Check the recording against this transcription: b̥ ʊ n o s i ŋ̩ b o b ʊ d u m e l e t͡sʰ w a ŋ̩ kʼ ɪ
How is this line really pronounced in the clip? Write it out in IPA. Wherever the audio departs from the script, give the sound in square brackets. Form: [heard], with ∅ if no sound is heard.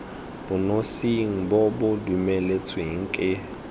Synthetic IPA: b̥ ʊ n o s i ŋ̩ b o b ʊ d u m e l e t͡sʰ w [e] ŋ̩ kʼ ɪ